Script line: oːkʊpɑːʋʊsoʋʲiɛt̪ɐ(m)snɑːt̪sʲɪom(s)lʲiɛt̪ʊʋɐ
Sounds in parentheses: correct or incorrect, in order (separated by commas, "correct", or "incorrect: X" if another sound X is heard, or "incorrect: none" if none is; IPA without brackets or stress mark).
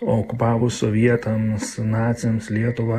correct, correct